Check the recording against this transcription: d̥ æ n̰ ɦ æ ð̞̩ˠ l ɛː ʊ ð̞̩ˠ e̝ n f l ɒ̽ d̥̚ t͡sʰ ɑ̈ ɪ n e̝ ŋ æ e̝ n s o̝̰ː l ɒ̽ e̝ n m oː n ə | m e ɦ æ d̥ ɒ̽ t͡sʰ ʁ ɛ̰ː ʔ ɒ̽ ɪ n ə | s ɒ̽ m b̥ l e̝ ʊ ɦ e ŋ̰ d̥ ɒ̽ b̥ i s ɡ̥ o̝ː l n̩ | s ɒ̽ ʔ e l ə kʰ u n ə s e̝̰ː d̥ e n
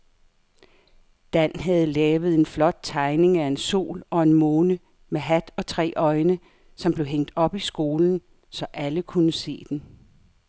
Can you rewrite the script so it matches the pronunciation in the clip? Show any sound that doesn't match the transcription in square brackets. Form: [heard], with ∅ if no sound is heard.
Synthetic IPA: d̥ æ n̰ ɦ æ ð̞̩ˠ l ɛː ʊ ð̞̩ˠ e̝ n f l ɒ̽ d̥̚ t͡sʰ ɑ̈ ɪ n e̝ ŋ æ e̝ n s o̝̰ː l ɒ̽ e̝ n m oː n ə | m e ɦ æ d̥ ɒ̽ t͡sʰ ʁ ɛ̰ː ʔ ɒ̽ ɪ n ə | s ɒ̽ m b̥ l e̝ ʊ ɦ e ŋ̰ d̥ ɒ̽ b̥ i s ɡ̥ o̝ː l n̩ | s ɒ̽ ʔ [æ] l ə kʰ u n ə s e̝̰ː d̥ e n

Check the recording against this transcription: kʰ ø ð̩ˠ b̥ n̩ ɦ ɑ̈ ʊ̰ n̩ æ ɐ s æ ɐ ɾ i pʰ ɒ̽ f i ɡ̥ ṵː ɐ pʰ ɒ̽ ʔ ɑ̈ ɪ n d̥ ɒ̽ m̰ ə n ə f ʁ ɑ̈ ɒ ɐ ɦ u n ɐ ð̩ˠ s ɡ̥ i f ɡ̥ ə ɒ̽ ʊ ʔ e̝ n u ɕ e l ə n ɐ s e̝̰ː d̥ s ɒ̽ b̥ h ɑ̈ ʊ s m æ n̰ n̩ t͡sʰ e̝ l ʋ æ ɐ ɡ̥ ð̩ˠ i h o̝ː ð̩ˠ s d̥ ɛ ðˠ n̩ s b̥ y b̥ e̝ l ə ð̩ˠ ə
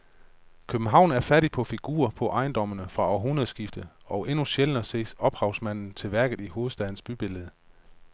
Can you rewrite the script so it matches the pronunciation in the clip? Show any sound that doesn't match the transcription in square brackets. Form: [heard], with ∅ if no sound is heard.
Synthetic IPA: kʰ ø [∅] b̥ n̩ ɦ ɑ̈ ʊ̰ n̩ æ ɐ [f] æ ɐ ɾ i pʰ ɒ̽ f i ɡ̥ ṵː ɐ pʰ ɒ̽ ʔ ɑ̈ ɪ n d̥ ɒ̽ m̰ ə n ə f ʁ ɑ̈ ɒ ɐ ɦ u n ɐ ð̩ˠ s ɡ̥ i f [d̥] ə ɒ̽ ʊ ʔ e̝ n u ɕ e l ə n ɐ s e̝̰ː [∅] s ɒ̽ b̥ h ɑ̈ ʊ s m æ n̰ n̩ t͡sʰ e̝ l ʋ æ ɐ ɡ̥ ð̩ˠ i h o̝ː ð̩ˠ s d̥ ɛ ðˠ n̩ s b̥ y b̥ e̝ l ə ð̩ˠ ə

